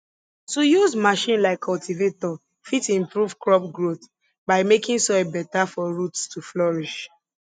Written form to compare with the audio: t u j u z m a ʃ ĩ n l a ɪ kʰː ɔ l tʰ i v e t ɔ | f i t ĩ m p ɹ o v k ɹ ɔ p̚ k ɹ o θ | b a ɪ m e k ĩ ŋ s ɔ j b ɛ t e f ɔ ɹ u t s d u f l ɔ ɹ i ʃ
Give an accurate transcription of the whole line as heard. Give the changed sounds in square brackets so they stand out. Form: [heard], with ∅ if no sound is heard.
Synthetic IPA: t u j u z m a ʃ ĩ n l a ɪ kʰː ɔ l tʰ i v e t ɔ | f i t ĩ m p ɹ [u] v k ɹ ɔ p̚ [ɡ] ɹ o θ | b a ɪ m e k ĩ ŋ s ɔ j b ɛ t [a] f ɔ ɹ u t s [t] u f l ɔ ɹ i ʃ